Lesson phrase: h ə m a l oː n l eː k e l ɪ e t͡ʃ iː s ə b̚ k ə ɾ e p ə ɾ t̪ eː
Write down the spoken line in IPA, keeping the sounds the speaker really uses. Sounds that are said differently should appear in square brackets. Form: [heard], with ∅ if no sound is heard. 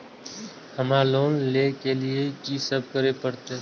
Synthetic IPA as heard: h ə m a l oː n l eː k e l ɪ e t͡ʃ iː s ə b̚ k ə ɾ e p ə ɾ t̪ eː